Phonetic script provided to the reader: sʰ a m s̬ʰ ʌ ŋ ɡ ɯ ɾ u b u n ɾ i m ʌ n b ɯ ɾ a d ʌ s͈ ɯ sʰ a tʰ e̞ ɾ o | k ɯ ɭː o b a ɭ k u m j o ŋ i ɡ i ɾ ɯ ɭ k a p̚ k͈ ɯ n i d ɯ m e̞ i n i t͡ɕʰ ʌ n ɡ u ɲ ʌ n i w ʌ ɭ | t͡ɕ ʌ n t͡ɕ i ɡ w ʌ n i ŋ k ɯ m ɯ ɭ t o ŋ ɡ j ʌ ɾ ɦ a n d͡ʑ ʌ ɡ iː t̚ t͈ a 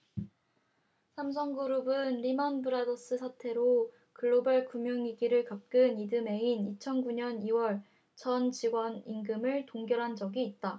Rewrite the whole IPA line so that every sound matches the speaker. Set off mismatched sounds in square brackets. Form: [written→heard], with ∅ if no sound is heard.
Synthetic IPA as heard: sʰ a m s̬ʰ ʌ ŋ ɡ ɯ ɾ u b [u→ɯ] n ɾ i m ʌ n b ɯ ɾ a d ʌ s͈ ɯ sʰ a tʰ e̞ ɾ o | k ɯ ɭː o b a ɭ k u m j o ŋ i ɡ i ɾ ɯ ɭ k a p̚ k͈ ɯ n i d ɯ m e̞ i n i t͡ɕʰ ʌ n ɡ u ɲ ʌ n i w ʌ ɭ | t͡ɕ ʌ n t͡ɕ i ɡ w ʌ n i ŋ [k→ɡ] ɯ m ɯ ɭ t o ŋ ɡ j ʌ ɾ ɦ a n d͡ʑ ʌ ɡ iː t̚ t͈ a